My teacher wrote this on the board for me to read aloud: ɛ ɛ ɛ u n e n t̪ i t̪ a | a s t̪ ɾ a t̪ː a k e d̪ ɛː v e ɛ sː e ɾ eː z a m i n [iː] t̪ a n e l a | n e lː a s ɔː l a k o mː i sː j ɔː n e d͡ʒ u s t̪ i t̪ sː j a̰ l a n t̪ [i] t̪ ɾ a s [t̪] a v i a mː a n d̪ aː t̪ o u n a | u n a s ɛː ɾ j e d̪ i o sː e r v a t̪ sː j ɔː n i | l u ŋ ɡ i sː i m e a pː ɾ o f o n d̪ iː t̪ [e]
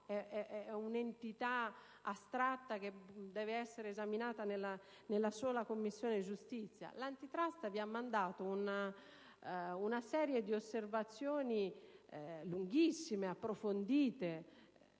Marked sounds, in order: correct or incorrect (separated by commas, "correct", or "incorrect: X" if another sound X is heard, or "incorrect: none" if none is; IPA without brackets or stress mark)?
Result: incorrect: aː, correct, correct, correct